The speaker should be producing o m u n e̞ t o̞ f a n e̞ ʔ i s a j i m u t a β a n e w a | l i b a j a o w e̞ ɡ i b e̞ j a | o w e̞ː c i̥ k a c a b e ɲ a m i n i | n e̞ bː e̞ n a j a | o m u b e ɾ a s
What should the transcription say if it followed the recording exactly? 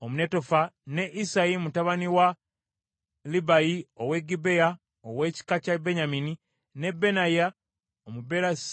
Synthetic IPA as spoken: o m u n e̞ t o̞ f a n e̞ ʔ i s a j i m u t a β a n i w a | l i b a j i o w e̞ ɡ i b e̞ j a | o w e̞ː c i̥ k a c a b e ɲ a m i n i | n e̞ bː e̞ n a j a | o m u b e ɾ a s